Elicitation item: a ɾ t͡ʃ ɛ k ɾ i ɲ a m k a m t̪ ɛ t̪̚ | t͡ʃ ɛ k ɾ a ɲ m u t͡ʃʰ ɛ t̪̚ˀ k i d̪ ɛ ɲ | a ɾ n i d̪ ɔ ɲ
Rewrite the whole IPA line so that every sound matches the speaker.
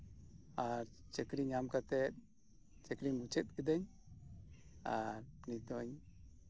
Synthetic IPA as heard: a ɾ t͡ʃ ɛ k ɾ i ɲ a m k a t̪ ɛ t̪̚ | t͡ʃ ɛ k ɾ i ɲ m u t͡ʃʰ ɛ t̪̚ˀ k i d̪ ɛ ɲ | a ɾ n i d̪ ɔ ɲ